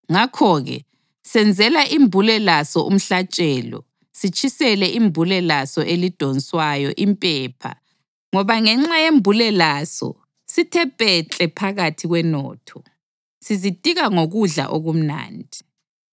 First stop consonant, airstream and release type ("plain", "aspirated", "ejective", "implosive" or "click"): aspirated